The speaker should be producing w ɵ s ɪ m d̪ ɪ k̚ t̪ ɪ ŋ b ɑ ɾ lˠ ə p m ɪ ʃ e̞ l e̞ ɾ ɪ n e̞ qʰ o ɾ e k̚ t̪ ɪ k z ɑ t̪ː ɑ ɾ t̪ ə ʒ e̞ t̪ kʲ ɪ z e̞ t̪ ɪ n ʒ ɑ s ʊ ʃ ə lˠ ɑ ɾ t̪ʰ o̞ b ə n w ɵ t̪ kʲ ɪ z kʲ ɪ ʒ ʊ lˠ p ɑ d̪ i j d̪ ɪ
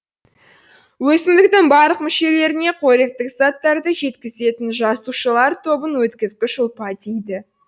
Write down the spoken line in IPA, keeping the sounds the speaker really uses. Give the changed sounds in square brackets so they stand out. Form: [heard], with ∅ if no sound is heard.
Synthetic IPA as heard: w ɵ s ɪ m d̪ ɪ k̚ t̪ ɪ ŋ b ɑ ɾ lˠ ə [q] m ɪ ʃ e̞ l e̞ ɾ ɪ n e̞ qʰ o ɾ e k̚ t̪ ɪ k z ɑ t̪ː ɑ ɾ [d̪] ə ʒ e̞ t̪ kʲ ɪ z e̞ t̪ ɪ n ʒ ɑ s [u] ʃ ə lˠ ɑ ɾ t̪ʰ o̞ b ə n w ɵ t̪ kʲ ɪ z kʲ ɪ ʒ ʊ lˠ p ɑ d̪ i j d̪ ɪ